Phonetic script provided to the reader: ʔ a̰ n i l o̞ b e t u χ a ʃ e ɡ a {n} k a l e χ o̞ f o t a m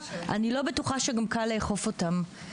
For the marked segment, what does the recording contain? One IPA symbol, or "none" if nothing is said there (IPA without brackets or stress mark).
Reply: m